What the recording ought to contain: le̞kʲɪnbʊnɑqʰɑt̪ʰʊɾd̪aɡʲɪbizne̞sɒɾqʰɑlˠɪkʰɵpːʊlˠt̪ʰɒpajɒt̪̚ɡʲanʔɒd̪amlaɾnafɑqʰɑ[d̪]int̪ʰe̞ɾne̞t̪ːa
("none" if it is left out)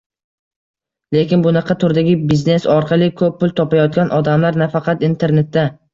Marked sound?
t̪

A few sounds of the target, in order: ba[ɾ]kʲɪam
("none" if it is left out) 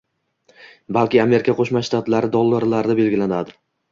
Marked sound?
l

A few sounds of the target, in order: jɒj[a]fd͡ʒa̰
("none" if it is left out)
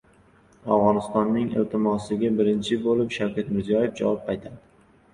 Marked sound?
e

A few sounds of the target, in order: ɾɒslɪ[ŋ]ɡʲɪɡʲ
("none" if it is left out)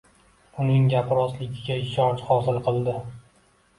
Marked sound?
none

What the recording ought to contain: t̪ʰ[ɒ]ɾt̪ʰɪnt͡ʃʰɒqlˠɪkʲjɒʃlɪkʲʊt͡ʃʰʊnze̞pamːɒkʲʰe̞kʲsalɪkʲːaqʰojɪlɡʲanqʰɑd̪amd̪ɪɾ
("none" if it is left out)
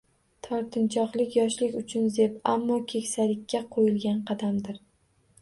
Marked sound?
ɒ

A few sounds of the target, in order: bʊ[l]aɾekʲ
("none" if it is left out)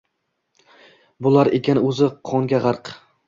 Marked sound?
l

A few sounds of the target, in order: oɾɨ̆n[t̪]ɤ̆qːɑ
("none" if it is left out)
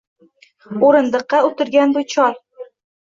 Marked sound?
d̪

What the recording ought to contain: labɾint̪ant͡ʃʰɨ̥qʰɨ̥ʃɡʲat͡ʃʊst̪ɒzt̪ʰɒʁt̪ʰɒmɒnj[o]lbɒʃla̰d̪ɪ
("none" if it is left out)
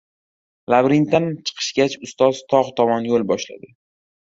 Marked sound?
o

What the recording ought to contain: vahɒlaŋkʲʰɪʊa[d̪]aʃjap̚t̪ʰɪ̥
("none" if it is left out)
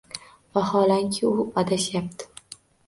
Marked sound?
d̪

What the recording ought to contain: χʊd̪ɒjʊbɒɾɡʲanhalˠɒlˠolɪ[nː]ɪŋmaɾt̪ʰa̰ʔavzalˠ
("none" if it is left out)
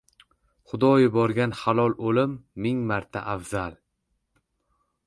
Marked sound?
mː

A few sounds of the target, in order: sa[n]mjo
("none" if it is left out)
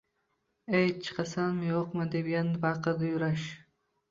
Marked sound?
n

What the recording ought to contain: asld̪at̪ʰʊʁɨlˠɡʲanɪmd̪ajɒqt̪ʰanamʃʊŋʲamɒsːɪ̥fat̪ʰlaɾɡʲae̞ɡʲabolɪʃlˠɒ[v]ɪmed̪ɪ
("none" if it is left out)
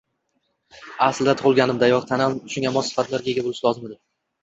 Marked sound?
z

